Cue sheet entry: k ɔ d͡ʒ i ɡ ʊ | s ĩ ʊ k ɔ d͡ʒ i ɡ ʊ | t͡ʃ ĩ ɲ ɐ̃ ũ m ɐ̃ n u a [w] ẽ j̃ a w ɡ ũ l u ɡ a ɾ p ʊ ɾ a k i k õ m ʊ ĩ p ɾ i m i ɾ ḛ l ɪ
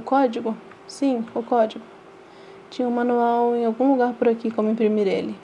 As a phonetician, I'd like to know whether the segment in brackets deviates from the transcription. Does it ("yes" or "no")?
no